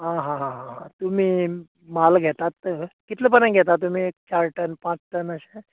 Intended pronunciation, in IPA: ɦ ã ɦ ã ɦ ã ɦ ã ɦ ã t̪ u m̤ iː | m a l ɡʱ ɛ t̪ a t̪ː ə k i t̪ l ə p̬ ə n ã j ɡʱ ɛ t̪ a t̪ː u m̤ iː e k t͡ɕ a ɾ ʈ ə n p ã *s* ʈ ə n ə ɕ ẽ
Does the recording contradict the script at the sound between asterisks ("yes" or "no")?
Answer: yes